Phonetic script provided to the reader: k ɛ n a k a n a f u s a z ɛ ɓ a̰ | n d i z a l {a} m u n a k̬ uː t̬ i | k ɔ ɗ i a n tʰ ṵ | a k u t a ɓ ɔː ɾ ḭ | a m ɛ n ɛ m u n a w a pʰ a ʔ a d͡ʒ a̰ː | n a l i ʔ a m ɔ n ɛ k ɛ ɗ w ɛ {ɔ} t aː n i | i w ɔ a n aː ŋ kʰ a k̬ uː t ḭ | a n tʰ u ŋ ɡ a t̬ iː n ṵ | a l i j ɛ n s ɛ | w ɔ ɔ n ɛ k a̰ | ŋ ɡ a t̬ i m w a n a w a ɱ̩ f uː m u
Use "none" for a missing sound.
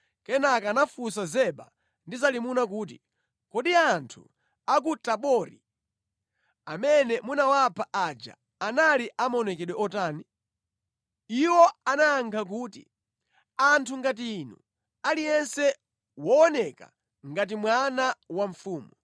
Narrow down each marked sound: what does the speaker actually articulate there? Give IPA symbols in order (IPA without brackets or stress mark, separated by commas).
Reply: i, ɔ